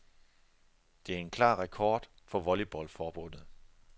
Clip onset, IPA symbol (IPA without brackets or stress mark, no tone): d̥